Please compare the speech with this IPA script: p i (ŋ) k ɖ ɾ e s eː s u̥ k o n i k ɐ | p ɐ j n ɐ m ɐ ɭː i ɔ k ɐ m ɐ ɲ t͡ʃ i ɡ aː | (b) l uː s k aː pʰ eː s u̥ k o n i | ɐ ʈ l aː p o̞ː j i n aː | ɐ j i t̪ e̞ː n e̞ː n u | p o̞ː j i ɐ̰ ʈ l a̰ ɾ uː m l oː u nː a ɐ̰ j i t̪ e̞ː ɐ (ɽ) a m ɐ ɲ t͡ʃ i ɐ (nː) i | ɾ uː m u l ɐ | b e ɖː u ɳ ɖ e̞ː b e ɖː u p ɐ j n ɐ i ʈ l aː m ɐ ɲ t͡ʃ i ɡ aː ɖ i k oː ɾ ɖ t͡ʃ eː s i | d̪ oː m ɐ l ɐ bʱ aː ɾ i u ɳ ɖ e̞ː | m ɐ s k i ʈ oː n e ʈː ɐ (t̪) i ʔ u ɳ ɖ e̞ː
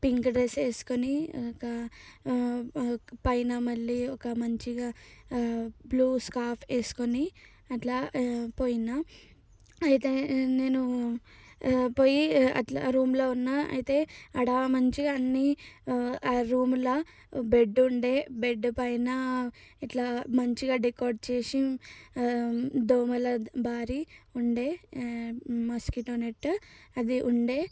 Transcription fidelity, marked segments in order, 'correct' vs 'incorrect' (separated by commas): correct, correct, correct, correct, incorrect